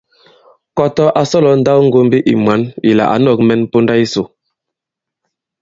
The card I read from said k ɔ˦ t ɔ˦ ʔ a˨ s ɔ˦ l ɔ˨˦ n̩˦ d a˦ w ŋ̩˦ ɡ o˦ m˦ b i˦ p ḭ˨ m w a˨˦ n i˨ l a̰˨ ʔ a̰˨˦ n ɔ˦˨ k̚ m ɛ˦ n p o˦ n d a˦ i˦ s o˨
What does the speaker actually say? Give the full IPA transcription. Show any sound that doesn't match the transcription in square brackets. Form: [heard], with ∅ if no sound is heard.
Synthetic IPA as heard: k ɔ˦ t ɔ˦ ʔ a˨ s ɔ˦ l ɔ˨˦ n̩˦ d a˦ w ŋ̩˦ ɡ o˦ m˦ b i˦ [ʔ] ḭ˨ m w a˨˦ n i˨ l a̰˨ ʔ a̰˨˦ n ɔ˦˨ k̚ m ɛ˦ n p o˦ n d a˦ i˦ s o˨